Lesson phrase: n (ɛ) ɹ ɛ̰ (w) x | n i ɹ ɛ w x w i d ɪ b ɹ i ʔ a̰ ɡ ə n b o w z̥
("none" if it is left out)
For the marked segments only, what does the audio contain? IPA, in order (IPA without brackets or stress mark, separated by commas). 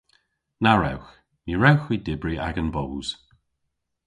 a, w